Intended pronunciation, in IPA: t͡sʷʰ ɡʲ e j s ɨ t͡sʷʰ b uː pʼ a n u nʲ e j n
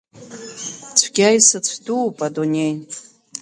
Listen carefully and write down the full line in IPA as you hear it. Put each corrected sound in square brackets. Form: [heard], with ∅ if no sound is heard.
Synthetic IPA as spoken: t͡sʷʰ ɡʲ [a] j s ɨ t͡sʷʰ [d] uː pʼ a [d] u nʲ e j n